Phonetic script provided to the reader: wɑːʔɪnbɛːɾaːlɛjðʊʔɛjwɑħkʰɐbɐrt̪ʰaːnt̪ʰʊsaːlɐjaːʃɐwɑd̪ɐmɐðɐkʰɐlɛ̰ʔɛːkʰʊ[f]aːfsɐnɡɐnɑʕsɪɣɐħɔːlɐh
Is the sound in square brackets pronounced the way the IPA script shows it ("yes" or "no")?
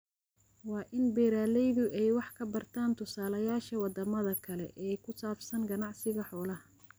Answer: no